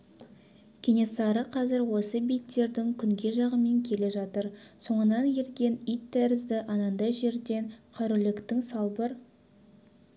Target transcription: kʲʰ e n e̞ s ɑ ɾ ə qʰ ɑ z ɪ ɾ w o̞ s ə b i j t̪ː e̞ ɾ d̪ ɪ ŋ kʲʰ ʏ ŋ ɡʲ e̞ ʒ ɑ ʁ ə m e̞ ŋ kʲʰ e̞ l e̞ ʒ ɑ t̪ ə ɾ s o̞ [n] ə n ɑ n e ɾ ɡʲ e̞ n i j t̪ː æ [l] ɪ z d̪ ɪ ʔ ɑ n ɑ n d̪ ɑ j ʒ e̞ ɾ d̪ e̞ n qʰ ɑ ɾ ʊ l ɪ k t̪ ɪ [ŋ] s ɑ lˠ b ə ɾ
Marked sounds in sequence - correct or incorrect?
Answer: incorrect, incorrect, correct

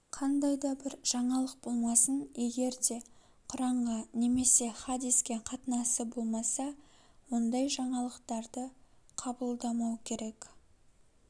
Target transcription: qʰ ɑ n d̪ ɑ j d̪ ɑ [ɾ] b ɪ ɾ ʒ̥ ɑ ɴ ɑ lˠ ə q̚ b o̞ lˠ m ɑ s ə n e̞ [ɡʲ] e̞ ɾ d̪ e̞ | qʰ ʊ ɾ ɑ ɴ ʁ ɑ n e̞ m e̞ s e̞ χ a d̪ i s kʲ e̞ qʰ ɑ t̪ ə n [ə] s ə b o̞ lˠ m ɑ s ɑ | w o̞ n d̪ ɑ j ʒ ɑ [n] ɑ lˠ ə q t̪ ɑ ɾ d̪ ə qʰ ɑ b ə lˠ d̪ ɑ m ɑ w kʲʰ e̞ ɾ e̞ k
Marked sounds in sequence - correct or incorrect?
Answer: incorrect, correct, incorrect, incorrect

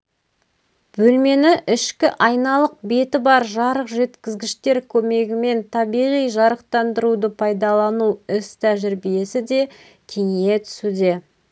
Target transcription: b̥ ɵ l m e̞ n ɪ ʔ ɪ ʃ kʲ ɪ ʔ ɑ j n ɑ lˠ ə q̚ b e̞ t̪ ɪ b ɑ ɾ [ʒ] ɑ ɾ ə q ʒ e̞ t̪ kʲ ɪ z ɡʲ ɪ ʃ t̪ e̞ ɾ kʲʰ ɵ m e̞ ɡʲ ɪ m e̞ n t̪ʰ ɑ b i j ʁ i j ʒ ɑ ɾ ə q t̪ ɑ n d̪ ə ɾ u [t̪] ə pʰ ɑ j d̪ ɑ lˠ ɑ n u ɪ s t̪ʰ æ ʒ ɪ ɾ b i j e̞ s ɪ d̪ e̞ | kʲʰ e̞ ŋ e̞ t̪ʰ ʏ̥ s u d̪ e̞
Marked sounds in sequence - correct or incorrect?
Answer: correct, incorrect

